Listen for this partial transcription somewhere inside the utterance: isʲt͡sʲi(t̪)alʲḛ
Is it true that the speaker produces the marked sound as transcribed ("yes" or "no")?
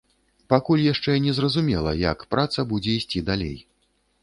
no